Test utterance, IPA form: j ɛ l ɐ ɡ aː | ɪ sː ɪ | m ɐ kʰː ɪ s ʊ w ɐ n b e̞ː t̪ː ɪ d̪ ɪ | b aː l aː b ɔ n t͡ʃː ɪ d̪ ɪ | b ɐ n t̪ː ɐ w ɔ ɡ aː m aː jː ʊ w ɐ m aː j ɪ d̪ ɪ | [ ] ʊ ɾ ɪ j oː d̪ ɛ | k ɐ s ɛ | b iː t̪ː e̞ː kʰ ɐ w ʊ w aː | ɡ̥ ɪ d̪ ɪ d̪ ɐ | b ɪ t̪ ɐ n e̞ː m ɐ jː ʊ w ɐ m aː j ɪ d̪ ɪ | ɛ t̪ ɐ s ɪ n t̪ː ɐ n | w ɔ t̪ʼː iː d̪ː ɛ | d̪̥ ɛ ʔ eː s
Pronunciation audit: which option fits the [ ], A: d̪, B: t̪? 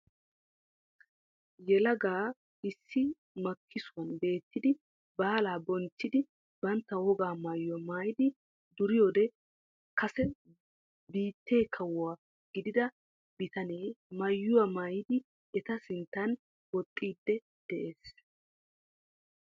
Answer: A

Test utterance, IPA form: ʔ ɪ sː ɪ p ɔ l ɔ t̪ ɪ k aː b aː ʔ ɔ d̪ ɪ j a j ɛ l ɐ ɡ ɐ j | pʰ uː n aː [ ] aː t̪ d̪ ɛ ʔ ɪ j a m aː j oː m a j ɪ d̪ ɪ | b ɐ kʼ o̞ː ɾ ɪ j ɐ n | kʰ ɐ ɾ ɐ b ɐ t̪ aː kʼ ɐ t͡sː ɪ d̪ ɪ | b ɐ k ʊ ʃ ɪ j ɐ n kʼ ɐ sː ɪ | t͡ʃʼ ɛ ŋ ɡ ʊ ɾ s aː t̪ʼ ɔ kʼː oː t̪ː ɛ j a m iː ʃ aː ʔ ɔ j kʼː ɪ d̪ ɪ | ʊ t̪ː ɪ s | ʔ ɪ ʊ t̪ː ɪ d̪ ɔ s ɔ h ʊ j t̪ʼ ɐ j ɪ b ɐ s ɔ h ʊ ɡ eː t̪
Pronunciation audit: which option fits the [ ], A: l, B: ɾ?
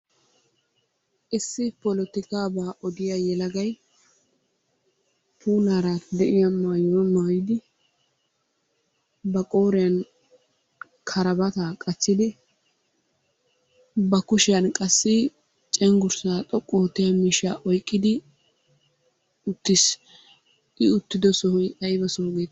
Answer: B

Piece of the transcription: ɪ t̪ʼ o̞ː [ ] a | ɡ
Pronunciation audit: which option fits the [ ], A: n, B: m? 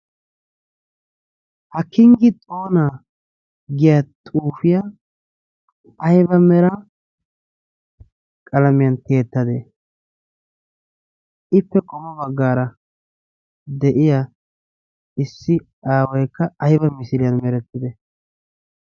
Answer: A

